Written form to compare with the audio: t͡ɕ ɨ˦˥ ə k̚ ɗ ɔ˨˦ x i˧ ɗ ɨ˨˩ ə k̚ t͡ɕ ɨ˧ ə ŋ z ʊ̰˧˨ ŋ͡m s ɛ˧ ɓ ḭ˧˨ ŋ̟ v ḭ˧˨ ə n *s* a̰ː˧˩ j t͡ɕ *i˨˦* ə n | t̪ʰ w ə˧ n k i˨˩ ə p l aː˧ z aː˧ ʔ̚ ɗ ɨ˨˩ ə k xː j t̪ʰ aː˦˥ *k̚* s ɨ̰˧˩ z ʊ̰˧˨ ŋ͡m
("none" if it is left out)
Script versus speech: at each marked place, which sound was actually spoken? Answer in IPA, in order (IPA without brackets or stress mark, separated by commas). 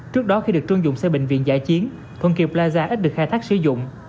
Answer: z, i˨˦, k̚